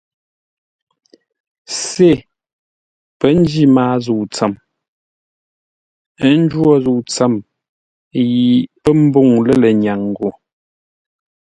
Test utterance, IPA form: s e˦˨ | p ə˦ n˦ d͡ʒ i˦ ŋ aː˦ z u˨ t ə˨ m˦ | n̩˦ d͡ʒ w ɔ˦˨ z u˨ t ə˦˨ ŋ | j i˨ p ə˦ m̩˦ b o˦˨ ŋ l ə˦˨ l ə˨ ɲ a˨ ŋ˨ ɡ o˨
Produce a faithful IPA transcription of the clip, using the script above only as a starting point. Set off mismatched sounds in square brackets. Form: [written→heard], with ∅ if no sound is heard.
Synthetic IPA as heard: s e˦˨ | p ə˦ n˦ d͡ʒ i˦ [ŋ→m] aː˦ z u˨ [t→t͡s] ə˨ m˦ | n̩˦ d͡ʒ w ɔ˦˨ z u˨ [t→t͡s] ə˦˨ [ŋ→m] | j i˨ p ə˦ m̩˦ b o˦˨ ŋ l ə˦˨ l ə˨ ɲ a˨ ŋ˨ ɡ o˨